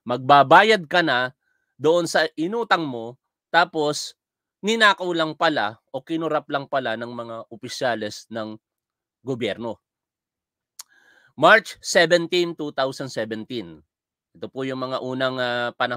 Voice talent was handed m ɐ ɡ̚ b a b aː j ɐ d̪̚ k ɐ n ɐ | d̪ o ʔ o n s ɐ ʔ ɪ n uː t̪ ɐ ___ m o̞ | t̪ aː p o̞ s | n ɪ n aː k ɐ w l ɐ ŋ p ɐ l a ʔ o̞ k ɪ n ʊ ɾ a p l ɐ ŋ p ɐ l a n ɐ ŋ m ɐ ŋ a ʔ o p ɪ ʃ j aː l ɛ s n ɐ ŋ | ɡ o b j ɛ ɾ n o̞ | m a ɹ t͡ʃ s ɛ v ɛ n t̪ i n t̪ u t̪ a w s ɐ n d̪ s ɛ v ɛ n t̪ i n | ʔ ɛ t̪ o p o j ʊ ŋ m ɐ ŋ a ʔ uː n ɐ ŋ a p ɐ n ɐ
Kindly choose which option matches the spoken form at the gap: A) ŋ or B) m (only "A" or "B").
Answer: A